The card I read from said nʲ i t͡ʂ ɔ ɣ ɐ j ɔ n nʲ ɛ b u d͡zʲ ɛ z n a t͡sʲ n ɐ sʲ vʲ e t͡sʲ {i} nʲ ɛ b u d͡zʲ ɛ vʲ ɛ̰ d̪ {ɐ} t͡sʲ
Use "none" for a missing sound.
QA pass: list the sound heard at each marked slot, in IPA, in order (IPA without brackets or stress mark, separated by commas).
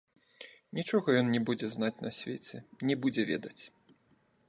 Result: ɛ, ɐ